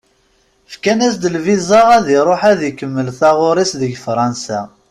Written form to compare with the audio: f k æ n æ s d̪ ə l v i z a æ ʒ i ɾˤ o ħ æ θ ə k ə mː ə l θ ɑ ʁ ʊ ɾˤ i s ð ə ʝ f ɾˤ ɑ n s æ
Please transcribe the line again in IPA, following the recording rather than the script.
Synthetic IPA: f k æ n æ s d̪ ə l v i z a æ ð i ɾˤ o ħ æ ð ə k ə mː ə l θ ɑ ʁ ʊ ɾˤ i s ð ə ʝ f ɾˤ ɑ n s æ

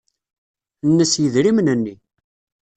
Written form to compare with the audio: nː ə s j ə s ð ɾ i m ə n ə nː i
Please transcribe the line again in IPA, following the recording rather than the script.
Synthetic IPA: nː ə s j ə ð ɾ i m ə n ə nː i

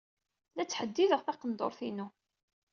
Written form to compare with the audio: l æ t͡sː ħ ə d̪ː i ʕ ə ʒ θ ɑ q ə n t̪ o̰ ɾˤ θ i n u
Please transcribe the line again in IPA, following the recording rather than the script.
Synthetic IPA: l æ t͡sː ħ ə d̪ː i ð ə ʁ θ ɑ q ə n d̪ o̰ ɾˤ θ i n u

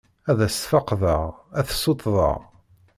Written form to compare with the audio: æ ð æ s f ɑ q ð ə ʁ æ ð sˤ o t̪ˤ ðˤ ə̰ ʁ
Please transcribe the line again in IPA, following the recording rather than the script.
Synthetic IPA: æ ð æ s f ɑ q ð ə ʁ æ θ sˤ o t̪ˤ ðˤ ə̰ ʁ

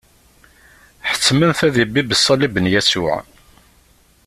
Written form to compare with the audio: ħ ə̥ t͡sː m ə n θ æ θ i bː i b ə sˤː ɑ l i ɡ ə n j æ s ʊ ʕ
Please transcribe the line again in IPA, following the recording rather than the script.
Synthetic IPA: ħ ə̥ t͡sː m ə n θ æ ð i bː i b ə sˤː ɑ l i b ə n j æ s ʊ ʕ

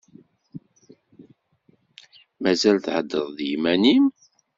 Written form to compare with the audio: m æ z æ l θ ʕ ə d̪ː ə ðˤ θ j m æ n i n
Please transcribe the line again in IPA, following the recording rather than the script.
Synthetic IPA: m æ z æ l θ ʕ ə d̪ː ə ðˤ ð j m æ n i m

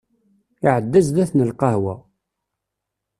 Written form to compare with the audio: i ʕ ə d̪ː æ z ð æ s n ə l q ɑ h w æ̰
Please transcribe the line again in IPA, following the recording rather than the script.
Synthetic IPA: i ʕ ə d̪ː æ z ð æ θ n ə l q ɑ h w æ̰

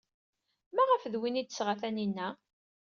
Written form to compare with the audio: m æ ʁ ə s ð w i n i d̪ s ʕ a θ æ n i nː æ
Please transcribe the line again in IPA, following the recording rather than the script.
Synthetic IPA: m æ ʁ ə f ð w i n i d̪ s ʁ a θ æ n i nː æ

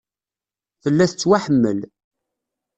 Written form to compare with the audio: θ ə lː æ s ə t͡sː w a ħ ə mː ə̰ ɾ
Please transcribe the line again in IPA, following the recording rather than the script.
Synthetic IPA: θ ə lː æ θ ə t͡sː w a ħ ə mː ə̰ l

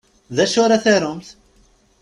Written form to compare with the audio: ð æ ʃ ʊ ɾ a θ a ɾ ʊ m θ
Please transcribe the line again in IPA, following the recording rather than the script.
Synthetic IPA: ð æ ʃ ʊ ɾ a θ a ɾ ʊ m θ

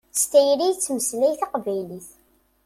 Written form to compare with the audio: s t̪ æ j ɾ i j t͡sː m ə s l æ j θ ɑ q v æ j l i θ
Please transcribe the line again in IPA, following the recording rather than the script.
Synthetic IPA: s t̪ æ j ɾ i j t͡sː m ə s l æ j θ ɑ q v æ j l i θ

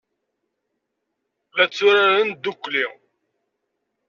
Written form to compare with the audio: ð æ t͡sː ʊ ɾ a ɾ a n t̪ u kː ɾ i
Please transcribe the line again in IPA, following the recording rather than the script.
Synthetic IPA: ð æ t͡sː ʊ ɾ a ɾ ə n d̪ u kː l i

